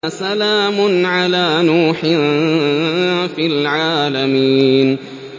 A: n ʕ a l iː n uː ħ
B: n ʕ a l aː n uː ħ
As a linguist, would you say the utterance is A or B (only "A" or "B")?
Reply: B